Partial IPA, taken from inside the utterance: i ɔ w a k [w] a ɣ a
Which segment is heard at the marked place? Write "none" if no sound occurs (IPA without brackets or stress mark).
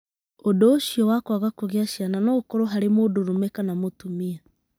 w